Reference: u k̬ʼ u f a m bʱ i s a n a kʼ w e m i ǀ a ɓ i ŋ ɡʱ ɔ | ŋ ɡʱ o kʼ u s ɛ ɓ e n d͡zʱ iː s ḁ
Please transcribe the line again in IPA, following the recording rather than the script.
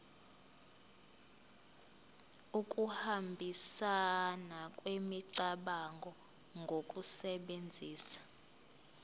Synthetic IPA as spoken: u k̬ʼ u h a m bʱ i s a n a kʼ w e m i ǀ a ɓ a ŋ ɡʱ ɔ | ŋ ɡʱ o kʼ u s ɛ ɓ e n d͡zʱ iː s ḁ